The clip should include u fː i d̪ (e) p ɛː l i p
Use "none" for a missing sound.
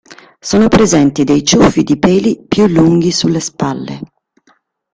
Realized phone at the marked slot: i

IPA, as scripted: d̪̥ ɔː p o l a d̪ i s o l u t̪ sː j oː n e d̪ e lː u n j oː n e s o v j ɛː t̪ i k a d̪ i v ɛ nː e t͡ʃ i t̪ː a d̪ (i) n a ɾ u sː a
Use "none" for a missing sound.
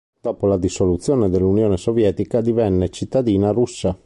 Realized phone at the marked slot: iː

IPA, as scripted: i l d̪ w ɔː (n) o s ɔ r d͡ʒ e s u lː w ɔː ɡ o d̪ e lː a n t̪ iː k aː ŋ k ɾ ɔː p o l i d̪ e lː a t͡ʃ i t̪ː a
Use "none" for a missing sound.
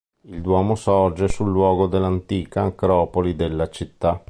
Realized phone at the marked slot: m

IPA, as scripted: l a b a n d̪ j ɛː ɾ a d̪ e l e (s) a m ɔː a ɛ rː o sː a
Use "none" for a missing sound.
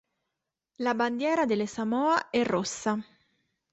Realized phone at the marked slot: s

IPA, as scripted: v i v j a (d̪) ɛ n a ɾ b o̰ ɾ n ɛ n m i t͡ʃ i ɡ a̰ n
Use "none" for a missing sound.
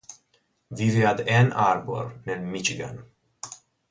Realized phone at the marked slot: d̪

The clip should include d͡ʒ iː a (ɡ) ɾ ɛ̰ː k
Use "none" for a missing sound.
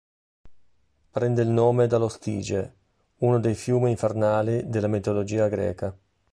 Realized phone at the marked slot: ɡ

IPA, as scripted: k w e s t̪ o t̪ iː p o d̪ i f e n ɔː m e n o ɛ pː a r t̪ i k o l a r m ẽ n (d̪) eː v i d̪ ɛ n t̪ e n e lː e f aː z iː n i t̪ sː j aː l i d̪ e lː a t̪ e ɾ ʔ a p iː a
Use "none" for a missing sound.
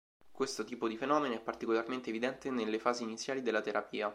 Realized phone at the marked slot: t̪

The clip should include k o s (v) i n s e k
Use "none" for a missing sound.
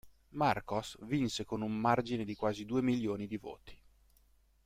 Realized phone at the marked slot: v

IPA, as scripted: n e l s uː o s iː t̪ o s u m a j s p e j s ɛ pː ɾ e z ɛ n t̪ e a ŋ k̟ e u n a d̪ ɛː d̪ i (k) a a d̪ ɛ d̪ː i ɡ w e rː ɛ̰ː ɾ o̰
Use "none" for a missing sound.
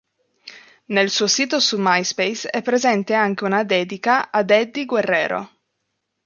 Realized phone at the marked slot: k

